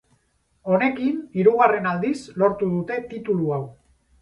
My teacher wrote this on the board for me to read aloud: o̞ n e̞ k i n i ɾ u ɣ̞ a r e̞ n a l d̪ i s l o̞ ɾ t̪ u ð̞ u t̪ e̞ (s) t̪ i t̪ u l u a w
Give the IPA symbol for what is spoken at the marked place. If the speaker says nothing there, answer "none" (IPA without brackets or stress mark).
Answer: none